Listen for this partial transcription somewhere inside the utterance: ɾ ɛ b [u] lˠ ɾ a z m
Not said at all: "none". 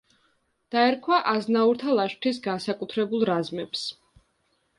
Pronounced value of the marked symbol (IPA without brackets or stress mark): u